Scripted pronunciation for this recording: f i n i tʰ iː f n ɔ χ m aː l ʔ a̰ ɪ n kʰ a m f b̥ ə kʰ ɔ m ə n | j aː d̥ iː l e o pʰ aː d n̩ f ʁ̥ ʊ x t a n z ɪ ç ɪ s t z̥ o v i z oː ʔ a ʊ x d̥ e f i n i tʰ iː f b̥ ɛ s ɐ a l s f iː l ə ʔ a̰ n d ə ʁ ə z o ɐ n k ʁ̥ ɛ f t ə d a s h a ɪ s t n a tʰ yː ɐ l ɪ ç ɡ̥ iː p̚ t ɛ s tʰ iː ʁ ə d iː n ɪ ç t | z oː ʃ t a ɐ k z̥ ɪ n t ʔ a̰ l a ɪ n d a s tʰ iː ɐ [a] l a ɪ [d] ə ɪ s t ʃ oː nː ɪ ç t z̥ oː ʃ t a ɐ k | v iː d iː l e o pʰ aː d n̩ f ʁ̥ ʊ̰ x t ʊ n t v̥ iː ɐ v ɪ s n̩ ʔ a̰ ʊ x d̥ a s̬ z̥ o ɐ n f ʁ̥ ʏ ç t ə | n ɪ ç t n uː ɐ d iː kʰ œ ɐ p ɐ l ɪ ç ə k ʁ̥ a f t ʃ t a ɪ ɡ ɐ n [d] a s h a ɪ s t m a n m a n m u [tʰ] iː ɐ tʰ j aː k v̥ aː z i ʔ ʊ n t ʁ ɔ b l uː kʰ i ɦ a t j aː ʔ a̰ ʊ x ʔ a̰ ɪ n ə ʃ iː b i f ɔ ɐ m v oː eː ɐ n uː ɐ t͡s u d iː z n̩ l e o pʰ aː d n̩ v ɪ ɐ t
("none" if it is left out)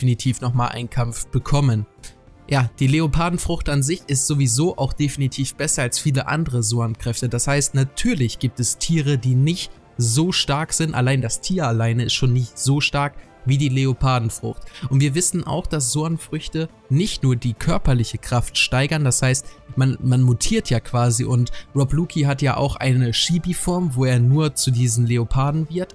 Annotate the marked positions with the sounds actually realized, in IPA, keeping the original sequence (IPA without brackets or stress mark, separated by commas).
a, n, d, tʰ